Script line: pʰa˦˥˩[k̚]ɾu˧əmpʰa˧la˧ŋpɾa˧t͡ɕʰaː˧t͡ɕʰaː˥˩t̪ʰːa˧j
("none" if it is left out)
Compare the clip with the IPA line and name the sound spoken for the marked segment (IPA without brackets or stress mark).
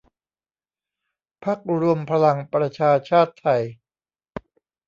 k̚